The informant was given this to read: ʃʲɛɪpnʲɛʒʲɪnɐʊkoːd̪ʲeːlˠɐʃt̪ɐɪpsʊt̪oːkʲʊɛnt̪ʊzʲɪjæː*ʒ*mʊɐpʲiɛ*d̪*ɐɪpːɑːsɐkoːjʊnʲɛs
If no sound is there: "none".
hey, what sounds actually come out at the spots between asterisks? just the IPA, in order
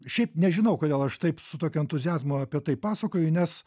z, t̪

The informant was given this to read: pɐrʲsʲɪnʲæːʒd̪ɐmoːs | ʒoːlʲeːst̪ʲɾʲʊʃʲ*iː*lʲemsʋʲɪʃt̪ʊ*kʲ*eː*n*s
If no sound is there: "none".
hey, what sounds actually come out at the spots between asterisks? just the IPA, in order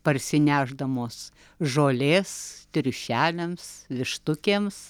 æː, kʲ, m

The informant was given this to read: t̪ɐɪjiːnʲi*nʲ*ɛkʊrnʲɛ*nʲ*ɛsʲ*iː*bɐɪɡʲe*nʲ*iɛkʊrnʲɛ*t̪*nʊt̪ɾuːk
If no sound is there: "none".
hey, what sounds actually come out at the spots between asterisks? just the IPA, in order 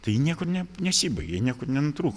none, nʲ, iː, nʲ, none

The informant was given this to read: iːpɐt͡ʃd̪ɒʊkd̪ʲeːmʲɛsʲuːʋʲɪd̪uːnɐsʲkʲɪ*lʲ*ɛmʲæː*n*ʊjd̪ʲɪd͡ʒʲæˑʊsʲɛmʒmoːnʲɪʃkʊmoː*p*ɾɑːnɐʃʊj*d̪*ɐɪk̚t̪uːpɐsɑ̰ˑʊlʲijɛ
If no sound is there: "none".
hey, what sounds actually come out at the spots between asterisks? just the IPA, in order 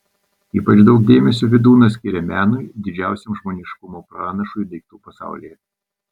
ɾʲ, n, p, d̪

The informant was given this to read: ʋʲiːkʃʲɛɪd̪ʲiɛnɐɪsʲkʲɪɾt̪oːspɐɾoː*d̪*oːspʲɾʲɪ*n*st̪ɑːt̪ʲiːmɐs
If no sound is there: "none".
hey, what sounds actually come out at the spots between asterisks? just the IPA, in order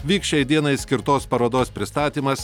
d̪, none

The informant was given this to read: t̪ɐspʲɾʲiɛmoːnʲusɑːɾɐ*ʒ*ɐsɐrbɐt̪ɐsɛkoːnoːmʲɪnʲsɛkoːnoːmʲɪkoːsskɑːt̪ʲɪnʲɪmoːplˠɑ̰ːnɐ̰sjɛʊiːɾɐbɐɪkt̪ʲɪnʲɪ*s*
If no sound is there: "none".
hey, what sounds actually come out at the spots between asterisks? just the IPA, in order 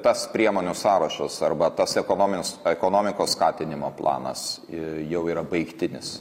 ʃ, s

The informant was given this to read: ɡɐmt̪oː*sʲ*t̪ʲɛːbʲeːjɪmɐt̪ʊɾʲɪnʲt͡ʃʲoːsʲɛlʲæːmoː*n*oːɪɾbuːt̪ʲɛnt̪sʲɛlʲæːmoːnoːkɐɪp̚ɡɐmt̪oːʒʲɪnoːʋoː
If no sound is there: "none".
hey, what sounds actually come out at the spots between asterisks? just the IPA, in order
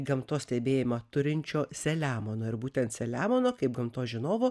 sʲ, n

